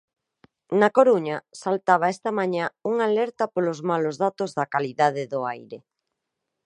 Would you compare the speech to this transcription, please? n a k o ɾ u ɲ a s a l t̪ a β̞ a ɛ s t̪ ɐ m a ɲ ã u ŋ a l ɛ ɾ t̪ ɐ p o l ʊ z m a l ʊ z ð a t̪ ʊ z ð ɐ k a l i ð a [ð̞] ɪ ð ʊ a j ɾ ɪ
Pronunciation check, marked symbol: correct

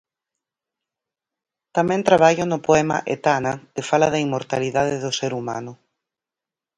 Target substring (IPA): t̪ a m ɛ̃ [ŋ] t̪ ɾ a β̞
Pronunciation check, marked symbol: incorrect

